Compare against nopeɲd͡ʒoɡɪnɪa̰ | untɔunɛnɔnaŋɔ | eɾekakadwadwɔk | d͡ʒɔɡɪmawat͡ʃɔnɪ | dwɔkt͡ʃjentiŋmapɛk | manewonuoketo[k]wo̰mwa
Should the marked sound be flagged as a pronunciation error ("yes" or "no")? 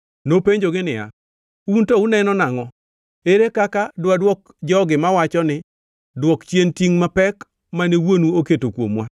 no